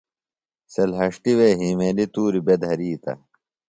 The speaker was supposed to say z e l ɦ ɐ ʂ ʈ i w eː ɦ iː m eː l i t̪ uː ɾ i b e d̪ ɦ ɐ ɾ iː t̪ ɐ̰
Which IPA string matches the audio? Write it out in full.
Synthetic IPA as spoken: s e l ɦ ɐ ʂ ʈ i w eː ɦ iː m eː l i t̪ uː ɾ i b e d̪ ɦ ɐ ɾ iː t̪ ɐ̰